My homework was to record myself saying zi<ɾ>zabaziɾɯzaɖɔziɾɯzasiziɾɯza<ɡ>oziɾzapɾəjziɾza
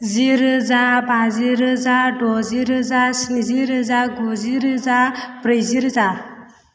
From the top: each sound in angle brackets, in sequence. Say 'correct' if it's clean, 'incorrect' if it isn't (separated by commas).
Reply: correct, correct